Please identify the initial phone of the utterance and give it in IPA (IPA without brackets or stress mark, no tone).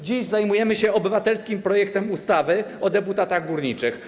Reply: d͡ʑ